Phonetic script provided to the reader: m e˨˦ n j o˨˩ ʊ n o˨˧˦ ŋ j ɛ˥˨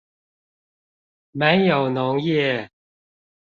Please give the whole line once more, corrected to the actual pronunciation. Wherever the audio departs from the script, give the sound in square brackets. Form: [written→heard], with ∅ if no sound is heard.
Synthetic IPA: m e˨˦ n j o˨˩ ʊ n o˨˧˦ ŋ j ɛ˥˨

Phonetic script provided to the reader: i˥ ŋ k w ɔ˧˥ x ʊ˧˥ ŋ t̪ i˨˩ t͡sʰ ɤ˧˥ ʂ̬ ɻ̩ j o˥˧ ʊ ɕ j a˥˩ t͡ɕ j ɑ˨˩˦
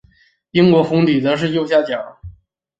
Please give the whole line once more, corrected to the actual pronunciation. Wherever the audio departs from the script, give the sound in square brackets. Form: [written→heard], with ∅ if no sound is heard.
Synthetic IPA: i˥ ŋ k w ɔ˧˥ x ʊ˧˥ ŋ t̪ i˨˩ [t͡sʰ→t͡s] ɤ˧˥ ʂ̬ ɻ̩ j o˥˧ ʊ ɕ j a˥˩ t͡ɕ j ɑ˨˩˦

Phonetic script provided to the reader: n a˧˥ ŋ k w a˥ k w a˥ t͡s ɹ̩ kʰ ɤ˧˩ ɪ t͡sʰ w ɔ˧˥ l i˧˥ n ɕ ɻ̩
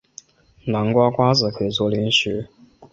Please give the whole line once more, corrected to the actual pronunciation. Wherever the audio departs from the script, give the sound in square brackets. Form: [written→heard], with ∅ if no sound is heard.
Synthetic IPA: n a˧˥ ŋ k w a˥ k w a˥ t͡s ɹ̩ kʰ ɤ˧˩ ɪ [t͡sʰ→t͡s] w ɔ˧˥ l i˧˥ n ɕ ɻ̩

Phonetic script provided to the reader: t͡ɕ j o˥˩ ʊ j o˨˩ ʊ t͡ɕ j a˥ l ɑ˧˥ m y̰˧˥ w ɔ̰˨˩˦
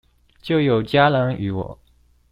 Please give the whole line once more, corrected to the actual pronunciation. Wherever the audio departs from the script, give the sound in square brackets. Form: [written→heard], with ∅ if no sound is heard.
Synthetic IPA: t͡ɕ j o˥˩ ʊ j o˨˩ ʊ t͡ɕ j a˥ l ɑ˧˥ [m→ŋ] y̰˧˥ w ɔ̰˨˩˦

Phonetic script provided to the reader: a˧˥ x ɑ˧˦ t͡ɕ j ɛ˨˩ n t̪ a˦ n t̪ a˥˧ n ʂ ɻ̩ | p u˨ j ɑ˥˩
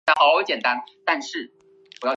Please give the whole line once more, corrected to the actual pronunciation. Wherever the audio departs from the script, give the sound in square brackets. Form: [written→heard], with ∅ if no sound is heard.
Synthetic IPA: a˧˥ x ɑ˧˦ t͡ɕ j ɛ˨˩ n t̪ a˦ n t̪ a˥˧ n ʂ ɻ̩ | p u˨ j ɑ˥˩

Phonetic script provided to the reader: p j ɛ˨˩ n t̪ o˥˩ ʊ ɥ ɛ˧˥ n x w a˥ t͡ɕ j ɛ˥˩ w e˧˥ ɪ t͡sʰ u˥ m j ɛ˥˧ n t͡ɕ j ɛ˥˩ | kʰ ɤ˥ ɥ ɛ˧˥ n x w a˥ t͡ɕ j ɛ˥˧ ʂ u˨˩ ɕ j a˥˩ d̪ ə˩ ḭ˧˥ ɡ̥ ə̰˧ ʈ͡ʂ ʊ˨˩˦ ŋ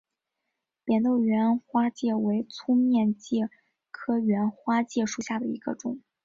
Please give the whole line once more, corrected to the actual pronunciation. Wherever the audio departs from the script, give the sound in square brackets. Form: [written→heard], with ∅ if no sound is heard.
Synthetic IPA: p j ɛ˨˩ n t̪ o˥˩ ʊ ɥ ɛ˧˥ n x w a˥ t͡ɕ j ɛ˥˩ w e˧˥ ɪ t͡sʰ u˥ m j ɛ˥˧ n t͡ɕ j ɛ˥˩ | kʰ ɤ˥ ɥ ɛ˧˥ n x w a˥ t͡ɕ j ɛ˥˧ ʂ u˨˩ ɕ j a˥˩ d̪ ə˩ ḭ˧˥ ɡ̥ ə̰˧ ʈ͡ʂ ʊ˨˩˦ ŋ

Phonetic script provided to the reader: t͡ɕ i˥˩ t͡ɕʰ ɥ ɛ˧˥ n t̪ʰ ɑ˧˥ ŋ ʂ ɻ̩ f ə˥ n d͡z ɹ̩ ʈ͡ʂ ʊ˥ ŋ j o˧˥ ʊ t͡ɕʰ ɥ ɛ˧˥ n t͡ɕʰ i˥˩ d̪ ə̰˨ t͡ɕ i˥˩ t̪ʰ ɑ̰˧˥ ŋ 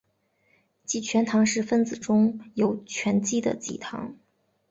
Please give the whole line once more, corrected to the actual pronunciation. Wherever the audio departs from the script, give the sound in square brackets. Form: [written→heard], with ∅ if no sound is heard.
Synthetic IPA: t͡ɕ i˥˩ t͡ɕʰ ɥ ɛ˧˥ n t̪ʰ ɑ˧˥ ŋ ʂ ɻ̩ f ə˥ n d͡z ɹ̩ ʈ͡ʂ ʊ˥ ŋ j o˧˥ ʊ t͡ɕʰ ɥ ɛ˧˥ n [t͡ɕʰ→t͡ɕ] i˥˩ d̪ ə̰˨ t͡ɕ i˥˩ t̪ʰ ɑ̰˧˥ ŋ

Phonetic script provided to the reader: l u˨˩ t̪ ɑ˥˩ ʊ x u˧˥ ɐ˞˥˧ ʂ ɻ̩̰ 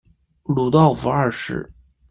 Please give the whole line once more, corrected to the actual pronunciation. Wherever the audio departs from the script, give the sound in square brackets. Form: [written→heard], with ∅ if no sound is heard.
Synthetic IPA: l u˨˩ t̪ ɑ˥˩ ʊ [x→f] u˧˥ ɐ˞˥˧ ʂ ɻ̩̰

